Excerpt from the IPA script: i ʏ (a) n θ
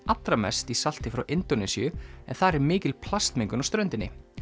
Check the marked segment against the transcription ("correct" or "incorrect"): incorrect